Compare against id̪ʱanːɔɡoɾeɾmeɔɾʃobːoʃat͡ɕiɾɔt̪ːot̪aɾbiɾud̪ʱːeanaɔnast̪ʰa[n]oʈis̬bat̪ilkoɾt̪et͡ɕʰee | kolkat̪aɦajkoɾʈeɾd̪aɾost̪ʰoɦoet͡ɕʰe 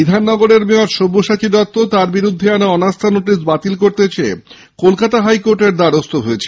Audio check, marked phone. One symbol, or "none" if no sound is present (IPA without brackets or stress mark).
n